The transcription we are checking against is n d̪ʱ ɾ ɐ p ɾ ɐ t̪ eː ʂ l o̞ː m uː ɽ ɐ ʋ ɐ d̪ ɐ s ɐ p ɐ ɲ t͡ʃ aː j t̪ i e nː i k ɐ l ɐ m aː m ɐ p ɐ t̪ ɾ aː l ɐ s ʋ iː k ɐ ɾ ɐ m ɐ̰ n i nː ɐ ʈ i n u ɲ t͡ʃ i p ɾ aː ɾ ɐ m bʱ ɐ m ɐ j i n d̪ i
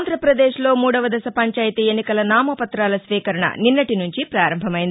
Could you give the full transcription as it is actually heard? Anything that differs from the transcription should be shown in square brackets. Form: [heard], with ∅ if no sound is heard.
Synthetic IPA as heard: n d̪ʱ ɾ ɐ p ɾ ɐ [d̪] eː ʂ l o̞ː m uː ɽ ɐ ʋ ɐ d̪ ɐ s ɐ p ɐ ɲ t͡ʃ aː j t̪ i e nː i k ɐ l ɐ [n] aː m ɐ p ɐ t̪ ɾ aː l ɐ s ʋ iː k ɐ ɾ ɐ [ɳ] ɐ̰ n i nː ɐ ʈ i n u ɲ t͡ʃ i p ɾ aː ɾ ɐ m bʱ ɐ m ɐ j i n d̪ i